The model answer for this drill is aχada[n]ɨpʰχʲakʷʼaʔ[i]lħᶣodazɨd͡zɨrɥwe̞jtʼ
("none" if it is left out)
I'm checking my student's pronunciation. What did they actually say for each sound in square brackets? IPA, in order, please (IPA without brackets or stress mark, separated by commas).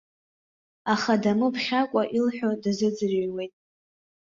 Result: m, i